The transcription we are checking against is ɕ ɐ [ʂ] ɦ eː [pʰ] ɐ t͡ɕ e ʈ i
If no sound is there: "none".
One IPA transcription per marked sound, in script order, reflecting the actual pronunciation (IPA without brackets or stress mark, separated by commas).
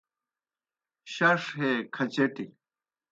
ʂ, kʰ